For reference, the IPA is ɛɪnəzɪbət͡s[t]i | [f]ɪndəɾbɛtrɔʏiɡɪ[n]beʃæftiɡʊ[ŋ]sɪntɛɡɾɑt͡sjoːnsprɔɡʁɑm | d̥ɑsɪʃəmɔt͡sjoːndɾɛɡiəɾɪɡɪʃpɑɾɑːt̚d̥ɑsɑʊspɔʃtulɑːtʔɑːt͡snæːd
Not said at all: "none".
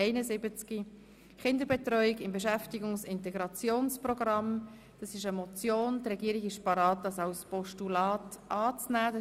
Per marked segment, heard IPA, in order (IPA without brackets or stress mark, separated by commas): k, χ, m, ŋ